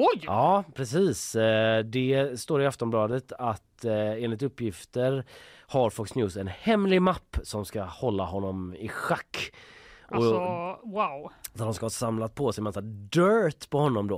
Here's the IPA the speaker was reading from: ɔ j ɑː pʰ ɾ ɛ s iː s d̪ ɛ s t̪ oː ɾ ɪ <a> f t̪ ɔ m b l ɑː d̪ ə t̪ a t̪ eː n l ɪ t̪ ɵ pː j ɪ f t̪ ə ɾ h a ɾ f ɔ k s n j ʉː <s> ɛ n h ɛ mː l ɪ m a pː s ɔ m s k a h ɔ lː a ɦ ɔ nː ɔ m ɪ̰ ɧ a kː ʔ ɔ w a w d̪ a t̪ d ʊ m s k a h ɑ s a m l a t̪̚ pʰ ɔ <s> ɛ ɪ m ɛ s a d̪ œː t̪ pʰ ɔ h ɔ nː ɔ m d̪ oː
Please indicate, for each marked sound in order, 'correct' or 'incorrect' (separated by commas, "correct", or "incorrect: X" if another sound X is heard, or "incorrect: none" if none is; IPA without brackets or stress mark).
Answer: correct, correct, correct